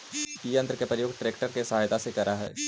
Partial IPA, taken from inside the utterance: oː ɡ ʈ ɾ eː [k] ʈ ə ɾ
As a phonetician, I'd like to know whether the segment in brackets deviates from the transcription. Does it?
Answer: no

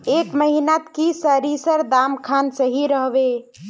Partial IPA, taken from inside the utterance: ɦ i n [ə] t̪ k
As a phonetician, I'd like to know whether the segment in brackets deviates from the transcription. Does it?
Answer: yes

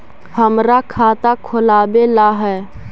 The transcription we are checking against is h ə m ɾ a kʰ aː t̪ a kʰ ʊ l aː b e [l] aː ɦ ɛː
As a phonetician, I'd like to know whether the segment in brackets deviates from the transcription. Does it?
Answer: no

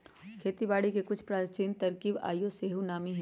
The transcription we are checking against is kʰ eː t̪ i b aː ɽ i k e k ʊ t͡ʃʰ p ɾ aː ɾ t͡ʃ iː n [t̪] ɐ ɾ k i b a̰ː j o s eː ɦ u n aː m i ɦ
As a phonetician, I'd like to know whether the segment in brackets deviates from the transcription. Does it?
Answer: no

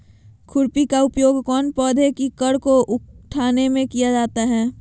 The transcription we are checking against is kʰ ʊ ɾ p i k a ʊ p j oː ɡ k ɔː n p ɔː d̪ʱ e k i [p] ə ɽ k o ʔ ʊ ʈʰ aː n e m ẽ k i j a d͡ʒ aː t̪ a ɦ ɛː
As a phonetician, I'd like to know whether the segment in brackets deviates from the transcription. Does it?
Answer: yes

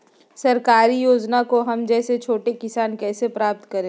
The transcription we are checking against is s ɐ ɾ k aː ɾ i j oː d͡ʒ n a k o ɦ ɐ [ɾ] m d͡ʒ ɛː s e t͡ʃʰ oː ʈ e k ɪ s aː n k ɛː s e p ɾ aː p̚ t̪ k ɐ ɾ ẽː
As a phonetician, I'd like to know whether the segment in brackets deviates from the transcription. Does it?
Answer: yes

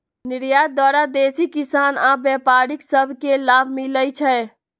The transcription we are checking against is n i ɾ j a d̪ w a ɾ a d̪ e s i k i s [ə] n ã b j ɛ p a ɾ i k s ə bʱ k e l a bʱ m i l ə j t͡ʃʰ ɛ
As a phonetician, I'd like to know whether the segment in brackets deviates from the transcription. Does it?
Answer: yes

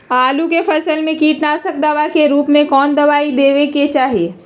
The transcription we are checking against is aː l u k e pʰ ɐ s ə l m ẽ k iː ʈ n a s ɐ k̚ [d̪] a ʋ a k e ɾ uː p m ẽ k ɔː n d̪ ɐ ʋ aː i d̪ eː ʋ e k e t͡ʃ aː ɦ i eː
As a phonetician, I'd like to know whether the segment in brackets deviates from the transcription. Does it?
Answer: no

